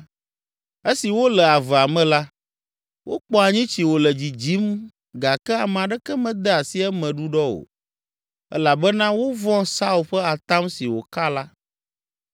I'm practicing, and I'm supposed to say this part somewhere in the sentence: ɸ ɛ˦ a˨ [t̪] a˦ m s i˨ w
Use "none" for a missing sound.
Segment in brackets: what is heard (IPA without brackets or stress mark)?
t̪